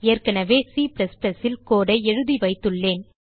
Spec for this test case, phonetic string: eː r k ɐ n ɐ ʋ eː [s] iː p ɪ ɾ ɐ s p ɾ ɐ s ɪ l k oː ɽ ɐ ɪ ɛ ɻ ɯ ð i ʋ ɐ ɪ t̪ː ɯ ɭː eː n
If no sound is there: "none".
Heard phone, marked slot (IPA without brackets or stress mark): s